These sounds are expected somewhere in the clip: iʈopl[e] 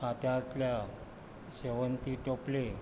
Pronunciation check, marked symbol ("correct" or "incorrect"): correct